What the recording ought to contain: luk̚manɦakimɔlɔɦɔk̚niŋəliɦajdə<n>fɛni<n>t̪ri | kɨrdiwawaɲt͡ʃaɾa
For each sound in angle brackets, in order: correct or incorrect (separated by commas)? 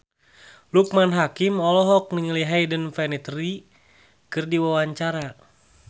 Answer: correct, incorrect